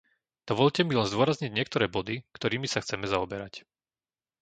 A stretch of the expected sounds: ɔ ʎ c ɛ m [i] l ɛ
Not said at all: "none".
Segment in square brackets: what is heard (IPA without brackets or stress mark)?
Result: i